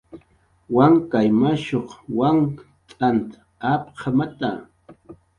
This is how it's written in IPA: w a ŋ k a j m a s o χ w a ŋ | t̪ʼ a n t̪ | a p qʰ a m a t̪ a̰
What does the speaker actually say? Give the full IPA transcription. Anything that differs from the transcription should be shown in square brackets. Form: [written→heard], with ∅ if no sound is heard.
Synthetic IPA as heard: w a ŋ k a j m a [s→ʃ] o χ w a ŋ | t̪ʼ a n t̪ | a p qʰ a m a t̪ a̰